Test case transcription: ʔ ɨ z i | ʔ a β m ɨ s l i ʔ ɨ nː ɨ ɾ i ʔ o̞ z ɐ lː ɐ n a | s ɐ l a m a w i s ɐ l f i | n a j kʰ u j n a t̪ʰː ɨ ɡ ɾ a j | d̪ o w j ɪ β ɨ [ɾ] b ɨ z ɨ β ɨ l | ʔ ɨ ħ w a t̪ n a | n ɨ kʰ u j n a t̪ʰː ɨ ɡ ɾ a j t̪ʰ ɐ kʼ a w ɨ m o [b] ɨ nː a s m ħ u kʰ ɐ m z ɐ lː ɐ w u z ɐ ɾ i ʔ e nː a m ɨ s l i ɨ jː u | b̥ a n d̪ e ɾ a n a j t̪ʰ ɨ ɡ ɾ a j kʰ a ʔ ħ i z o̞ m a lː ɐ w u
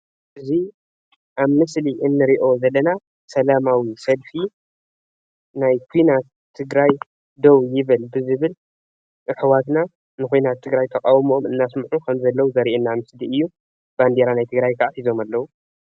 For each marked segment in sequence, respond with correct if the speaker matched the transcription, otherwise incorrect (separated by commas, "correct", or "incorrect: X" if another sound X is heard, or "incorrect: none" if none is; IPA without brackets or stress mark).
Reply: incorrect: l, incorrect: m